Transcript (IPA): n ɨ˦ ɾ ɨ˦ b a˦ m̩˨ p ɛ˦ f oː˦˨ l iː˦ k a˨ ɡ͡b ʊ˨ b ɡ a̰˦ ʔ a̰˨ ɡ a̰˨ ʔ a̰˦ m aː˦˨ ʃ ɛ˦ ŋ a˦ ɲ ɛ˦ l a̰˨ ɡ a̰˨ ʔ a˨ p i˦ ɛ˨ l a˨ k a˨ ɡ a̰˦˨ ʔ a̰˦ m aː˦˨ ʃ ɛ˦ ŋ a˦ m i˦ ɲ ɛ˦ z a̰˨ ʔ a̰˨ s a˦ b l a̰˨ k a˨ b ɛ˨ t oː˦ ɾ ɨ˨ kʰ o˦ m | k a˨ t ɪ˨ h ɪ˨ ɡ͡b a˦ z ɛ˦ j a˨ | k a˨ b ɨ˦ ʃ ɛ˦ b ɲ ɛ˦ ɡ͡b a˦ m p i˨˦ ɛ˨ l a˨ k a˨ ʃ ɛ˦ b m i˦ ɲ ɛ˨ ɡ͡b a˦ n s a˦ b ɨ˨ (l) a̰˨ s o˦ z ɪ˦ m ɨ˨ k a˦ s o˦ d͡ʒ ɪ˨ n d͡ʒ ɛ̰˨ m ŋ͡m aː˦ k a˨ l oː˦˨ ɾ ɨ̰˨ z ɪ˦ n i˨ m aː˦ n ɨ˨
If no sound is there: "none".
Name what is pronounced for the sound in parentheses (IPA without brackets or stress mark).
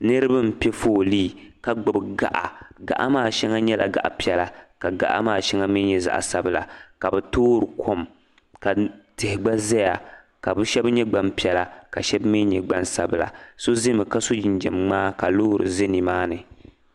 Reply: l